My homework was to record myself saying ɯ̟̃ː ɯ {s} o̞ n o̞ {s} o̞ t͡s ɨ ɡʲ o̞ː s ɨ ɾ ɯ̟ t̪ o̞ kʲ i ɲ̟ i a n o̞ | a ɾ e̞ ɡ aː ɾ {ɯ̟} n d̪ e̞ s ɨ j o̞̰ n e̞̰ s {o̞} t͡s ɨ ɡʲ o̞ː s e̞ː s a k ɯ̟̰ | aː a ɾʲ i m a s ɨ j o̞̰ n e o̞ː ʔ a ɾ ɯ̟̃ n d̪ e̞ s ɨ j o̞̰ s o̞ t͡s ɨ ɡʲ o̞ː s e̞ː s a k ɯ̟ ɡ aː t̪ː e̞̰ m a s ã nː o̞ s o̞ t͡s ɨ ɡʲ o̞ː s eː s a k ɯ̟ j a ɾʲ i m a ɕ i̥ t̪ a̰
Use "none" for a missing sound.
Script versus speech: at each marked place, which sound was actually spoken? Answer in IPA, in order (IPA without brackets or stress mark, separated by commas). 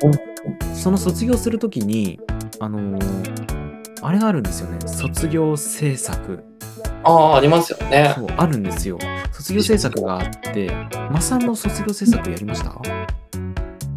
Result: s, s, ɯ̟̃, o̞